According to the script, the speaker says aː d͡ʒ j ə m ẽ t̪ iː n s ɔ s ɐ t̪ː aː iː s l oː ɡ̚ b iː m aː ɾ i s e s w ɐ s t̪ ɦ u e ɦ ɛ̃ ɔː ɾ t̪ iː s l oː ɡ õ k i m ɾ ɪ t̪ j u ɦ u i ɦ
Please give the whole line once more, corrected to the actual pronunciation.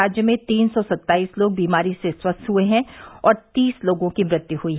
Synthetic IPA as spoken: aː d͡ʒ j ə m ẽ t̪ iː n s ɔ s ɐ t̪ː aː iː s l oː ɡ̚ b iː m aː ɾ i s e s w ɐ s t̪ ɦ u e ɦ ɛ̃ ɔː ɾ t̪ iː s l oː ɡ õ k i m ɾ ɪ t̪ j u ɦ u i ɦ

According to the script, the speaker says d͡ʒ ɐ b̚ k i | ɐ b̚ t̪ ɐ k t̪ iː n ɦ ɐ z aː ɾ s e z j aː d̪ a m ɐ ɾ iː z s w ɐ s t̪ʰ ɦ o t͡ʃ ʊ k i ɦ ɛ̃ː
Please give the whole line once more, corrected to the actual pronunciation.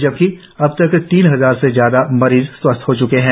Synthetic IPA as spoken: d͡ʒ ɐ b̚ k i | ɐ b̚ t̪ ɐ k t̪ iː n ɦ ɐ z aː ɾ s e z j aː d̪ a m ɐ ɾ iː z s w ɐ s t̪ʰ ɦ o t͡ʃ ʊ k e ɦ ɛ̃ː

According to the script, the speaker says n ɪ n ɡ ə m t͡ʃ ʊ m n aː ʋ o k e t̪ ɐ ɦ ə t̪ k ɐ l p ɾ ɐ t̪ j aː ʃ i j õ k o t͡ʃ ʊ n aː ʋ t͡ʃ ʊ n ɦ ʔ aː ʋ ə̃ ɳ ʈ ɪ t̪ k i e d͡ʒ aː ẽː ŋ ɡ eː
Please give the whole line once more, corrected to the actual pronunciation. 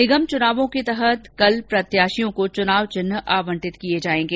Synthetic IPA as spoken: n ɪ ɡ ə m t͡ʃ ʊ n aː ʋ õ k e t̪ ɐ ɦ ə t̪ k ɐ l p ɾ ɐ t̪ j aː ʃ i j õ k o t͡ʃ ʊ n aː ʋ t͡ʃ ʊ n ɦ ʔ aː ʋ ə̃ ɳ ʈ ɪ t̪ k i e d͡ʒ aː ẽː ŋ ɡ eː

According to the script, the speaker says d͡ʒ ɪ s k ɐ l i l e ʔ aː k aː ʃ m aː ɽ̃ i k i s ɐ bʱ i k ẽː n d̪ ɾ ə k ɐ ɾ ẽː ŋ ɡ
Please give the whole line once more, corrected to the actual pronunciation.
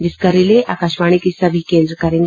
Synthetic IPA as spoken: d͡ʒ ɪ s k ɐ ɾ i l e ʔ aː k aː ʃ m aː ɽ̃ i k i s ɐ bʱ i k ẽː n d̪ ɾ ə k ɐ ɾ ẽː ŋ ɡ

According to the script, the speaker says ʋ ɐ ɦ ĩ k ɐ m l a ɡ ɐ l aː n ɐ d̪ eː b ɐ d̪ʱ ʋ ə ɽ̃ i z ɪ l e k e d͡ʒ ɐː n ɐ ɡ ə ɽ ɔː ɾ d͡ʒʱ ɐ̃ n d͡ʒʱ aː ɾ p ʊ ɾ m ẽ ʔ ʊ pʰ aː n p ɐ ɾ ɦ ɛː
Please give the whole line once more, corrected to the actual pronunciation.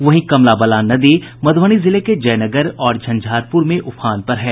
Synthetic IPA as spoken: ʋ ɐ ɦ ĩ k ɐ m l a b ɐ l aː n ɐ d̪ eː m ɐ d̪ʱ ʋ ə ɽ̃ i z ɪ l e k e d͡ʒ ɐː n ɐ ɡ ə ɾ ɔː ɾ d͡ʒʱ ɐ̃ n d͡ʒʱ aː ɾ p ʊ ɾ m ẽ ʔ ʊ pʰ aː n p ɐ ɾ ɦ ɛː

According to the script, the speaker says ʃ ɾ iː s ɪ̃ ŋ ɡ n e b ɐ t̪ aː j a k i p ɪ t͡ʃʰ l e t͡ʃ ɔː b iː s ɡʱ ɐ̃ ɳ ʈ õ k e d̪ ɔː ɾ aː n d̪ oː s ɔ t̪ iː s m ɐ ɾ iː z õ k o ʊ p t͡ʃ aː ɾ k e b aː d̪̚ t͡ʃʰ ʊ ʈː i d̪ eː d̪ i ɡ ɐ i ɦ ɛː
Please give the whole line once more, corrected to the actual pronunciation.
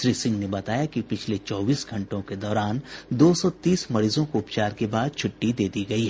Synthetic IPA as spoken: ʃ ɾ iː s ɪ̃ ŋ ɡ n e b ɐ t̪ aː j a k i p ɪ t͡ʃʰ l e t͡ʃ ɔː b iː s ɡʱ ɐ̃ ɳ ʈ õ k e d̪ ɔː ɾ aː n d̪ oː s ɔ t̪ iː s m ɐ ɾ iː z õ k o ʊ p t͡ʃ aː ɾ k e b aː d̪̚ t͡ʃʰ ʊ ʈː i d̪ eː d̪ i ɡ ɐ i ɦ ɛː

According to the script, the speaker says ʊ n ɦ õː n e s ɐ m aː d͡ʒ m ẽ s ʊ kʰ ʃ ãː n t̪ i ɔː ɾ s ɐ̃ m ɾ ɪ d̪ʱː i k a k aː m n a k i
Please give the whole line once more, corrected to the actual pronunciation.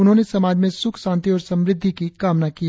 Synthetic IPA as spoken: ʊ n ɦ õː n e s ɐ m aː d͡ʒ m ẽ s ʊ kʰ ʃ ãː n t̪ i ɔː ɾ s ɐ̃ m ɾ ɪ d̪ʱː i k i k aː m n a k i

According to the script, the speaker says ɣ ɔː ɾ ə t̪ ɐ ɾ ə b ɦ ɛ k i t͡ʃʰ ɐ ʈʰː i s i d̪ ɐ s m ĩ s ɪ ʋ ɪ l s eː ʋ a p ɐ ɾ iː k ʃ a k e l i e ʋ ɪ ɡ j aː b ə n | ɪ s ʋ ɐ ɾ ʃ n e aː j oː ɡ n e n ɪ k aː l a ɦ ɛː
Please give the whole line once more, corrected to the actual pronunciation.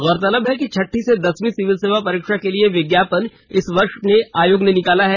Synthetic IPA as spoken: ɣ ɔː ɾ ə t̪ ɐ l ə b ɦ ɛ k i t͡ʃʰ ɐ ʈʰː i s e d̪ ɐ s m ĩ s ɪ ʋ ɪ l s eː ʋ a p ɐ ɾ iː k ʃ a k e l i e ʋ ɪ ɡ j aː p ə n | ɪ s ʋ ɐ ɾ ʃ n e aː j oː ɡ n e n ɪ k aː l a ɦ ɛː

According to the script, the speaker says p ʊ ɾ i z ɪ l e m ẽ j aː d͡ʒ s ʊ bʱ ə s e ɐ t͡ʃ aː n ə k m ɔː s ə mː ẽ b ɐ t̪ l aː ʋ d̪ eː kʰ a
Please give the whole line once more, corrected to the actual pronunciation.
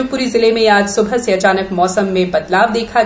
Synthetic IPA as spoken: p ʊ ɾ i z ɪ l e m ẽ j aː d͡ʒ s ʊ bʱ ə s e ɐ t͡ʃ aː n ə k m ɔː s ə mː ẽ b ɐ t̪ l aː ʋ d̪ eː kʰ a

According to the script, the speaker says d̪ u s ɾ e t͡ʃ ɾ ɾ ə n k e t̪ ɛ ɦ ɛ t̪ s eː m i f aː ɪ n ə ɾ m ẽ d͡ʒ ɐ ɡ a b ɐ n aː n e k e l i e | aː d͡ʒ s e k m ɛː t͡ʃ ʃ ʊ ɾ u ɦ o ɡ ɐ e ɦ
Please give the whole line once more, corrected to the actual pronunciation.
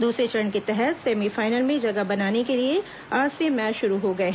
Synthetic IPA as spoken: d̪ uː s ɾ e t͡ʃ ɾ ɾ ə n k e t̪ ɛ ɦ ɛ t̪ s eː m i f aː ɪ n ə l m ẽ d͡ʒ ɐ ɡ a b ɐ n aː n e k e l i e | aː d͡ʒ s e m ɛː t͡ʃ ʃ ʊ ɾ u ɦ o ɡ ɐ e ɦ

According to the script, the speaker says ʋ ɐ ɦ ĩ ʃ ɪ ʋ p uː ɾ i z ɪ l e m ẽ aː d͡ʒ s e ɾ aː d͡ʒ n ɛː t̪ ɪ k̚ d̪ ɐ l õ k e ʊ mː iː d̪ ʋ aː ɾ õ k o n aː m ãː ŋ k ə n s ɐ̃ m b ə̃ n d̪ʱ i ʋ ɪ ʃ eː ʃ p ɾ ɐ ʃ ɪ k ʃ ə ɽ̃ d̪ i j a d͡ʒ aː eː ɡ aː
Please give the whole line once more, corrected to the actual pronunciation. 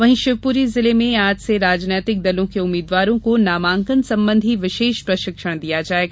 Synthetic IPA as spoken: ʋ ɐ ɦ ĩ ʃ ɪ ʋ p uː ɾ i z ɪ l e m ẽ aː d͡ʒ s e ɾ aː d͡ʒ n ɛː t̪ ɪ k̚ d̪ ɐ l õ k e ʊ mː iː d̪ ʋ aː ɾ õ k o n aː m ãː ŋ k ə n s ɐ̃ m b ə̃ n d̪ʱ i ʋ ɪ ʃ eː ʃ p ɾ ɐ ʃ ɪ k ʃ ə ɽ̃ d̪ i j a d͡ʒ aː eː ɡ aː

